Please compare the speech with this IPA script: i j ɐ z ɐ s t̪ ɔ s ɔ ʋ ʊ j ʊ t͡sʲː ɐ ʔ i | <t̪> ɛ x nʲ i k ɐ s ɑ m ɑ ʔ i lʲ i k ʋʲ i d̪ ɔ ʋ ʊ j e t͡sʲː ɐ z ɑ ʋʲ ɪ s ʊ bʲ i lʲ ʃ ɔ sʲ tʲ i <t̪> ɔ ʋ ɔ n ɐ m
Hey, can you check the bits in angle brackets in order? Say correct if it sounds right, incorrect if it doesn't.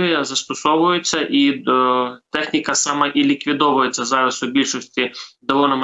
correct, incorrect: d̪

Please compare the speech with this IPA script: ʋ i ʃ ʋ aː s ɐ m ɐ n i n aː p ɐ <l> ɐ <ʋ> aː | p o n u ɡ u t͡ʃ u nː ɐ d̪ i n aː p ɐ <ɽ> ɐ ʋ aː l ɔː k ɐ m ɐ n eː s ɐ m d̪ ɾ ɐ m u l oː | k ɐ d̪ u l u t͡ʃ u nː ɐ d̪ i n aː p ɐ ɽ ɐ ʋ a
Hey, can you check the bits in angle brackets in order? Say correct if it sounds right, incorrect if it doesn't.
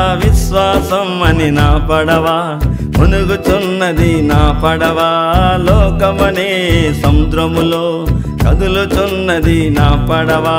incorrect: ɽ, correct, correct

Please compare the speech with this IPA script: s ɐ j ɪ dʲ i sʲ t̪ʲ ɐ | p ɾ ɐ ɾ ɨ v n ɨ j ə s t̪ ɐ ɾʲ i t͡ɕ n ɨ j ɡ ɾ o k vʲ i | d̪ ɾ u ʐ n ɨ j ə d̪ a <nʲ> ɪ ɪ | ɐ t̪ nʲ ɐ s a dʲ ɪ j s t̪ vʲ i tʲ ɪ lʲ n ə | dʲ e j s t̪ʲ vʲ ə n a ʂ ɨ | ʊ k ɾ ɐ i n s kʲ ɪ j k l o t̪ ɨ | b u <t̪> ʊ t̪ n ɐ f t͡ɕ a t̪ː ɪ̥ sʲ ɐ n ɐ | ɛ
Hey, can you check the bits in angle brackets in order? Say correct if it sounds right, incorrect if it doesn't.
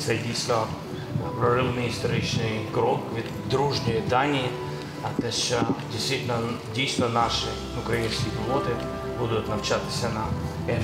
correct, incorrect: d̪

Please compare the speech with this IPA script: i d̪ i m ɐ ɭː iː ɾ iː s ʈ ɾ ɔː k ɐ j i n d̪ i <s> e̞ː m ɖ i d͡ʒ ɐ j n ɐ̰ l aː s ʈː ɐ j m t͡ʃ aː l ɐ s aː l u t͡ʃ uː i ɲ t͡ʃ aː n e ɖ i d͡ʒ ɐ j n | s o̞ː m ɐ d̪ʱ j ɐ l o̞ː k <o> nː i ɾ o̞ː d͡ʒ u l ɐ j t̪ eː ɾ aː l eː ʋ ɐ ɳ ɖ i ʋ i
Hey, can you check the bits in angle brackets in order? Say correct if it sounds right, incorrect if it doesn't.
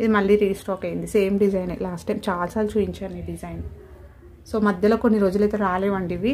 correct, correct

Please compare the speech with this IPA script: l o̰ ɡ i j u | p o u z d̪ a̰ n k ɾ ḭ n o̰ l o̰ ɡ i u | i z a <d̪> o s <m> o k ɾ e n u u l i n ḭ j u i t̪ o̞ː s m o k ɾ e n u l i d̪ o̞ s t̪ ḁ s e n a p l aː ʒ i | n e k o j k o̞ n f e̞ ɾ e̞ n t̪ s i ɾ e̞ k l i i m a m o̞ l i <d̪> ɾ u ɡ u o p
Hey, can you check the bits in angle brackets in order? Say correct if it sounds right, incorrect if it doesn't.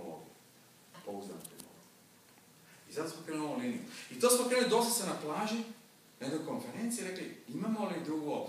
incorrect: t̪, correct, correct

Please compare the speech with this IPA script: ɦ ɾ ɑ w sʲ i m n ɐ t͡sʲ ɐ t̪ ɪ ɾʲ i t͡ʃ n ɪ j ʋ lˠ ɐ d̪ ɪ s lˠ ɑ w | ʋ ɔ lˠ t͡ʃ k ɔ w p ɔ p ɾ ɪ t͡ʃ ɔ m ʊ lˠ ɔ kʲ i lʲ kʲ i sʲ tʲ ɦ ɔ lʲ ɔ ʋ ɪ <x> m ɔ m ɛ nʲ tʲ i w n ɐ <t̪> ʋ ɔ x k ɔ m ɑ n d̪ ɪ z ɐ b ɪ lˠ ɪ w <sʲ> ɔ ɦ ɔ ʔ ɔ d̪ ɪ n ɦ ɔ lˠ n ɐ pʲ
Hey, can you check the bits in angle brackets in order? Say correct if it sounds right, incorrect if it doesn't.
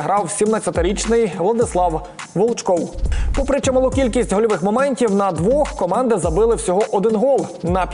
correct, incorrect: d̪, correct

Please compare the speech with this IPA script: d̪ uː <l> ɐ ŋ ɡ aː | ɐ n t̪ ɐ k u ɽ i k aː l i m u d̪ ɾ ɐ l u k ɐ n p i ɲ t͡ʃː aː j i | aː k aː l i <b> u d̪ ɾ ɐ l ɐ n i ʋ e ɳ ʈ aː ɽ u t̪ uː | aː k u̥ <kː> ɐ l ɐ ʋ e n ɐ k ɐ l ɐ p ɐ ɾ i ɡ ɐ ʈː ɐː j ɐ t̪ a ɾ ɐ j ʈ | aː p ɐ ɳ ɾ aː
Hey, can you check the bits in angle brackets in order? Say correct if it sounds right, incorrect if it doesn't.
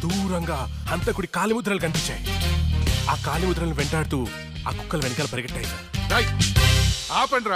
incorrect: ɾ, incorrect: m, correct

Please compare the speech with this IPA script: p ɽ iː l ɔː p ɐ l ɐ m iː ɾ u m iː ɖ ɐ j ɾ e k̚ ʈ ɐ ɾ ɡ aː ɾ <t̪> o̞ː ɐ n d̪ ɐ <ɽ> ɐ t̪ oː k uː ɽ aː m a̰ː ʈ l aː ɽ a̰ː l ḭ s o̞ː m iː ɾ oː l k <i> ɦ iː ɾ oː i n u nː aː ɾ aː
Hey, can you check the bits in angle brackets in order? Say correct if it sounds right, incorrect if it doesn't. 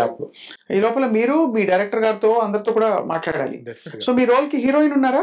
correct, incorrect: ɾ, correct

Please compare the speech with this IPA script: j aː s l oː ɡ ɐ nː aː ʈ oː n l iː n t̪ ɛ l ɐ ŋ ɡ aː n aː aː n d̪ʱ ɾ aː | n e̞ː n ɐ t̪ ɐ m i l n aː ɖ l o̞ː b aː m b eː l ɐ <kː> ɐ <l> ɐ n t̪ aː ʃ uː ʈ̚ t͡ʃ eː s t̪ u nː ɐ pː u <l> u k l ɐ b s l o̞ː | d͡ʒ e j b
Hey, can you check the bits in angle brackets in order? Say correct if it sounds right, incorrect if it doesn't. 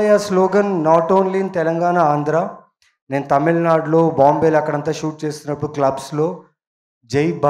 correct, incorrect: ɽ, incorrect: ɽ

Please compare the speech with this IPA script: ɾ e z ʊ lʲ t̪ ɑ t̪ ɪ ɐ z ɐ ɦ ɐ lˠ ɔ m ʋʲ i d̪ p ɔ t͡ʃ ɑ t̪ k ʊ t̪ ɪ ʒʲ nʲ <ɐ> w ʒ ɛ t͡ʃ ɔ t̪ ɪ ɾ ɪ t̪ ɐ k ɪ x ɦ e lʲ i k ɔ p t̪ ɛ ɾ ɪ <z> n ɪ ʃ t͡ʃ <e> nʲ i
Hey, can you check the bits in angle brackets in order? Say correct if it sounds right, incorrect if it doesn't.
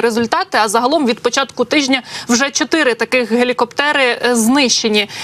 correct, correct, correct

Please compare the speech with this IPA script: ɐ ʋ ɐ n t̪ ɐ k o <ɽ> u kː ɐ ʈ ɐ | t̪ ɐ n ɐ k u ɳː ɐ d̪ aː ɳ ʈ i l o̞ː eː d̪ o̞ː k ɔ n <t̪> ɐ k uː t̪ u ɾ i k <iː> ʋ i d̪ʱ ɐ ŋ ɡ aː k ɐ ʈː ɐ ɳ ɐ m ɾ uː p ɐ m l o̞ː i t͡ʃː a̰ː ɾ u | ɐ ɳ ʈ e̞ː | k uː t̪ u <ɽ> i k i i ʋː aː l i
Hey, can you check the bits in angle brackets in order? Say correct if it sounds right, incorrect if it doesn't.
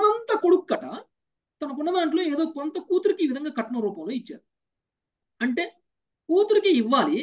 correct, correct, correct, incorrect: ɾ

